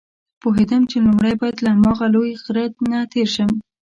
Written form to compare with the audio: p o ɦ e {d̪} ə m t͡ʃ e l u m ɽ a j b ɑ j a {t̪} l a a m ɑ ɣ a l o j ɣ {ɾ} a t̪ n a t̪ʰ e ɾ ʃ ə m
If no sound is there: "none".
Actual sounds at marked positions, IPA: d̪, d̪, ɾ

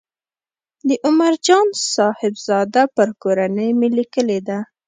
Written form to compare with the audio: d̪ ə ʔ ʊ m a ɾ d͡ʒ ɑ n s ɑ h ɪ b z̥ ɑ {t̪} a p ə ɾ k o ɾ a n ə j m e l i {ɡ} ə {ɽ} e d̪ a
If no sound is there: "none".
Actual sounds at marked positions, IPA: d̪, k, l

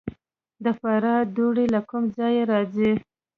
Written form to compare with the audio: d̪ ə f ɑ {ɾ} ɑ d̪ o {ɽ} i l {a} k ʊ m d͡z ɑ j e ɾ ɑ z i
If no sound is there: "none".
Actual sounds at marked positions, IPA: ɾ, ɽ, a

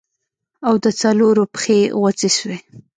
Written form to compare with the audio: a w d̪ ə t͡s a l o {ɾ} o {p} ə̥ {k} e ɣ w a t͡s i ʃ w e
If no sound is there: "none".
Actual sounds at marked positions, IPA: ɾ, p, x

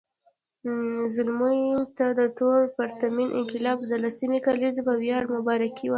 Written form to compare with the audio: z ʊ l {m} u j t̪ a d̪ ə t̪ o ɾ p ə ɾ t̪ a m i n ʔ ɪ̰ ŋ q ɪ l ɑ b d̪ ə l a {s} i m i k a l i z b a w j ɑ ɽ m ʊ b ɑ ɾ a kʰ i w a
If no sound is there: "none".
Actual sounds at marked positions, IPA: m, s

